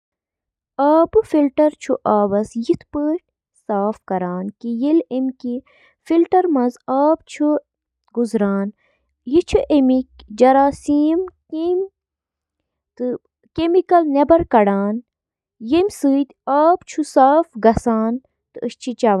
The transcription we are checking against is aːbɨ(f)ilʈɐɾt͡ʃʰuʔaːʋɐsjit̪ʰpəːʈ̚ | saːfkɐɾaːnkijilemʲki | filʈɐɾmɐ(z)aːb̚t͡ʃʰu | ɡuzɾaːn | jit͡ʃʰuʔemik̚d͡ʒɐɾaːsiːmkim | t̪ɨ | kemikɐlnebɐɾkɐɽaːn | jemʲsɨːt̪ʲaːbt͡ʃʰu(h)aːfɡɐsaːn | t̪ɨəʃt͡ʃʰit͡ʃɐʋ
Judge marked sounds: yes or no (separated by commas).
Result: yes, yes, no